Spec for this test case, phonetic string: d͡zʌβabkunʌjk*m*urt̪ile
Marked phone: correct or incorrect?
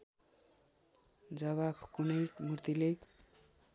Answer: correct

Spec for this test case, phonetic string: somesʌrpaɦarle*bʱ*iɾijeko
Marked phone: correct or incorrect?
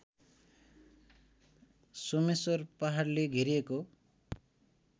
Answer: incorrect: ɡʱ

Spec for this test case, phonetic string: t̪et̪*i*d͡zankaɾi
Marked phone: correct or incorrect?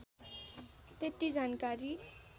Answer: correct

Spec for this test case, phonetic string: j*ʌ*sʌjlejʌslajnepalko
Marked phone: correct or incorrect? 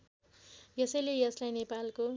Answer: correct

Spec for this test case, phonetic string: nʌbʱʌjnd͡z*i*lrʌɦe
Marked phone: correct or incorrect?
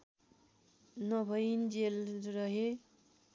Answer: incorrect: e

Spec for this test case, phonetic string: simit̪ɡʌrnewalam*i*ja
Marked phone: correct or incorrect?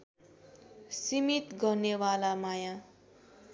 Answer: incorrect: a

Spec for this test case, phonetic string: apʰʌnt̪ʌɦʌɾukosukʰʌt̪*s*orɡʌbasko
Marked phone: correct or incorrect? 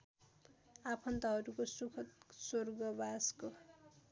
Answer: correct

